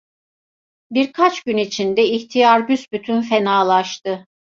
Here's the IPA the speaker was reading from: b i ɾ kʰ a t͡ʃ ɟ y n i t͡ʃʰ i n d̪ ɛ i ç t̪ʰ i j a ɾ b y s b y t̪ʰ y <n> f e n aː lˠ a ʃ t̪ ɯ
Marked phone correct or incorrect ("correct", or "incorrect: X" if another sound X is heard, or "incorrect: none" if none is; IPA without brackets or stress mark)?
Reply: correct